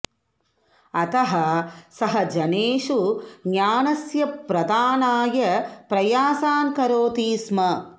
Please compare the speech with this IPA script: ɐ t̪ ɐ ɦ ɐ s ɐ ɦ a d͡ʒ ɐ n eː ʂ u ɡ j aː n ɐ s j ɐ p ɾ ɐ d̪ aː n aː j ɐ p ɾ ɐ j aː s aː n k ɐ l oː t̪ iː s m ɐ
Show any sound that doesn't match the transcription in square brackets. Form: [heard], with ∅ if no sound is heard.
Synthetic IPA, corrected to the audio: ɐ t̪ ɐ ɦ ɐ s ɐ ɦ [ɐ] d͡ʒ ɐ n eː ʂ u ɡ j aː n ɐ s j ɐ p ɾ ɐ d̪ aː n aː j ɐ p ɾ ɐ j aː s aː n k ɐ [ɾ] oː t̪ iː s m ɐ